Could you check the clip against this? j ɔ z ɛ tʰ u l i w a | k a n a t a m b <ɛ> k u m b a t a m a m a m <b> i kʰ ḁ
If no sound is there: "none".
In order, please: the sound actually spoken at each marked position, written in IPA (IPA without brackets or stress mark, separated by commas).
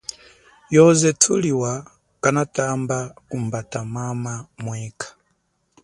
a, w